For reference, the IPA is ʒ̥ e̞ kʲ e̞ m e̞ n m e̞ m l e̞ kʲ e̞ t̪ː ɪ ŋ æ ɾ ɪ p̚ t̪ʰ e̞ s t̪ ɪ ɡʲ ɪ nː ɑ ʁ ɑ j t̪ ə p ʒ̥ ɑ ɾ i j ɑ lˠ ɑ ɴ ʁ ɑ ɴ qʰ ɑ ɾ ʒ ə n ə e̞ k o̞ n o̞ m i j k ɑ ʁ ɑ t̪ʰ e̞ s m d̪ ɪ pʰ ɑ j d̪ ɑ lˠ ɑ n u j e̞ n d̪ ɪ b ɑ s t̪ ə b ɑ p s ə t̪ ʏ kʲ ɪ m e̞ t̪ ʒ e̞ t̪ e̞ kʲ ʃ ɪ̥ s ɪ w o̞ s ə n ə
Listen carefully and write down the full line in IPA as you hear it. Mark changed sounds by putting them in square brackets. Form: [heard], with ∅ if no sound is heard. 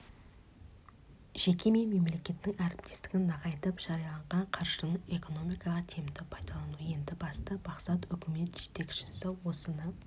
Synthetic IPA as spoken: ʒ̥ e̞ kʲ e̞ m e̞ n m e̞ m l e̞ kʲ e̞ t̪ː ɪ ŋ æ ɾ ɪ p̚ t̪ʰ e̞ s t̪ ɪ ɡʲ ɪ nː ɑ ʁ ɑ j t̪ ə p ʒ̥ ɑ ɾ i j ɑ lˠ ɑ ɴ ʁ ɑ ɴ qʰ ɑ ɾ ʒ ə n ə e̞ k o̞ n o̞ m i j k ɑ ʁ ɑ t̪ʰ e̞ [∅] m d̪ ɪ pʰ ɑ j d̪ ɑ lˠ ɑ n u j e̞ n d̪ ɪ b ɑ s t̪ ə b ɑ [q] s [ɑ] t̪ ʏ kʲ ɪ m e̞ t̪ ʒ e̞ t̪ e̞ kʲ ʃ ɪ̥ s ɪ w o̞ s ə n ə